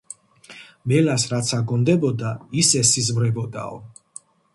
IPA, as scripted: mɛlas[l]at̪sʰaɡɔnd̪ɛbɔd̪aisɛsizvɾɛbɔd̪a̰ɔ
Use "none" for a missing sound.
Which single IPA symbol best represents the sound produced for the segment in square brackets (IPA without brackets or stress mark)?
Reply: ɾ